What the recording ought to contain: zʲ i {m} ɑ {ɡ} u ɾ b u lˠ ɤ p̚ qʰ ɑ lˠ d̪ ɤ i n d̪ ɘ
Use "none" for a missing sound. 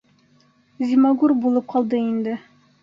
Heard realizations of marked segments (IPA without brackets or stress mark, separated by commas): m, ɡ